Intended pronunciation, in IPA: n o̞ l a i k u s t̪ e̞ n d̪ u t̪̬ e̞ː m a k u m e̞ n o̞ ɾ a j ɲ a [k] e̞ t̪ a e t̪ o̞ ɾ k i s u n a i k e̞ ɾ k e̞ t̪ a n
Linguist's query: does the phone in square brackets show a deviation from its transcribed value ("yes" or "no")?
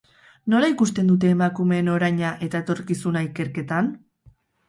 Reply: yes